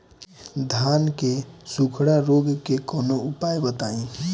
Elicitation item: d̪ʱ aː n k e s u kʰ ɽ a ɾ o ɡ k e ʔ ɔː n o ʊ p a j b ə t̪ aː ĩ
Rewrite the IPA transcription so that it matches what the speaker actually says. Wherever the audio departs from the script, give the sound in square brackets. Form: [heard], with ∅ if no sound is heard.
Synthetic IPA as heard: d̪ʱ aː n k e s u kʰ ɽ a ɾ o ɡ k e [k] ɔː n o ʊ p a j b ə t̪ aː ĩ